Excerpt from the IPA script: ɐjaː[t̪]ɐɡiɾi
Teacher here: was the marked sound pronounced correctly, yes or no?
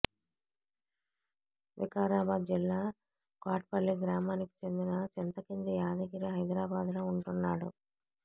no